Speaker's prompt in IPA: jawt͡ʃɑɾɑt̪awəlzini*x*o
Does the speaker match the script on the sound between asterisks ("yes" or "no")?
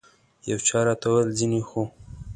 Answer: yes